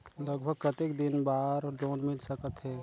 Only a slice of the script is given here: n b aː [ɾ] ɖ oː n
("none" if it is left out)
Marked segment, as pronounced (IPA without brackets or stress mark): ɾ